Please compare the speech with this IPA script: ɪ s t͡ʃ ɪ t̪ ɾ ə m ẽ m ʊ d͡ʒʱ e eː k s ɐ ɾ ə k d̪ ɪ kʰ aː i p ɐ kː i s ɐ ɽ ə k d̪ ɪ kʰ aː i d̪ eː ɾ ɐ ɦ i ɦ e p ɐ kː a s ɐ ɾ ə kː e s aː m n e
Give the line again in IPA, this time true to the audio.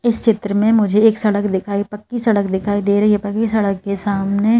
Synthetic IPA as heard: ɪ s t͡ʃ ɪ t̪ ɾ ə m ẽ m ʊ d͡ʒʱ e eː k s ɐ ɽ ə k d̪ ɪ kʰ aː i p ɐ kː i s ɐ ɽ ə k d̪ ɪ kʰ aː i d̪ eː ɾ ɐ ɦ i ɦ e p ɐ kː i s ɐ ɽ ə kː e s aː m n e